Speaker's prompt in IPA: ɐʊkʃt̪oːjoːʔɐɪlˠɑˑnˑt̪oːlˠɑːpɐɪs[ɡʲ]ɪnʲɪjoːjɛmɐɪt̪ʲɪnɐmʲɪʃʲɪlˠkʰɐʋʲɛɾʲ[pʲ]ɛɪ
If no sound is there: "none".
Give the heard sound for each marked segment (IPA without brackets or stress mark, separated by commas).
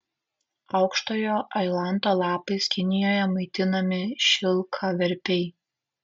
kʲ, pʲ